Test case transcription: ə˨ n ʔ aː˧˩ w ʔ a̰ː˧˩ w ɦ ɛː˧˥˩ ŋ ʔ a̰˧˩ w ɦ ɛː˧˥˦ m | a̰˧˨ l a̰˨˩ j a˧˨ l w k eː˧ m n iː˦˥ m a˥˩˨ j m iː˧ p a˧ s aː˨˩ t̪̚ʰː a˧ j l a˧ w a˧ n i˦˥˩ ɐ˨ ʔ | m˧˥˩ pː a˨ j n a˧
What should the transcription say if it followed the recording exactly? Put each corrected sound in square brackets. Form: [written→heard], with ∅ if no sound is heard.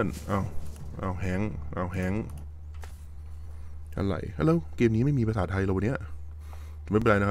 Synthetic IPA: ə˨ n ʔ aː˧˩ w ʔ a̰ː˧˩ w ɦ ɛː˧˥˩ ŋ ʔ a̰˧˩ w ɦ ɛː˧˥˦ [m→ŋ] | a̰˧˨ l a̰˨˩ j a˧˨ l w k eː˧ m n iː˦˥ m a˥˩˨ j m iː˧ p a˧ s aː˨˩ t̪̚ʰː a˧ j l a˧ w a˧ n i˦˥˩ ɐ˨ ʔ | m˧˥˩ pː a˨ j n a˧